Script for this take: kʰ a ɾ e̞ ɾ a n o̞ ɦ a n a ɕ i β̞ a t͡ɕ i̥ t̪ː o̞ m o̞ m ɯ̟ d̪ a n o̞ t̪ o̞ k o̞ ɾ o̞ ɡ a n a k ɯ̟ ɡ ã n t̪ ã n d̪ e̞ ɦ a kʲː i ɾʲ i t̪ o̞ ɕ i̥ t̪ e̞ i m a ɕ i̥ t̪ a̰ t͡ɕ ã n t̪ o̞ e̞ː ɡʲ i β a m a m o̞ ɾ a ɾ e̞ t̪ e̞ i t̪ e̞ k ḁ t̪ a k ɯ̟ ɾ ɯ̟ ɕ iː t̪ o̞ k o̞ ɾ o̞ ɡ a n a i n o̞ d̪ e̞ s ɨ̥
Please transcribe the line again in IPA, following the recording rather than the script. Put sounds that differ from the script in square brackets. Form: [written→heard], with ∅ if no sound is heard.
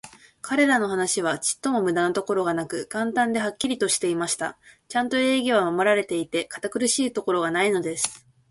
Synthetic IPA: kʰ a ɾ e̞ ɾ a n o̞ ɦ a n a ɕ i β̞ a t͡ɕ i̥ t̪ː o̞ m o̞ m ɯ̟ d̪ a n o̞ t̪ o̞ k o̞ ɾ o̞ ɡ a n a k ɯ̟ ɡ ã n t̪ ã n d̪ e̞ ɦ a kʲː i ɾʲ i t̪ o̞ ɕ i̥ t̪ e̞ i m a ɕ i̥ t̪ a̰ t͡ɕ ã n t̪ o̞ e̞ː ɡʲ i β a m a m o̞ ɾ a ɾ e̞ t̪ e̞ i t̪ e̞ k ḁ t̪ a k ɯ̟ ɾ ɯ̟ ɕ iː t̪ o̞ k o̞ ɾ o̞ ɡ a n a i n o̞ d̪ e̞ s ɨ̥